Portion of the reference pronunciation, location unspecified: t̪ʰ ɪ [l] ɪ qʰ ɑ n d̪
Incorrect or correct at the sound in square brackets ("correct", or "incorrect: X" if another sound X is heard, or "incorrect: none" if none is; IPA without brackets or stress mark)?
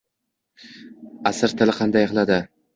correct